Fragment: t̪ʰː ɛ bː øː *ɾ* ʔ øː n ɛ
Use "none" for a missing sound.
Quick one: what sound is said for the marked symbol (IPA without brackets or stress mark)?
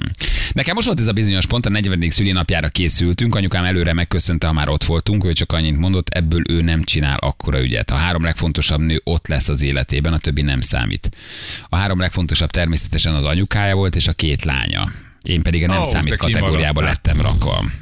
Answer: l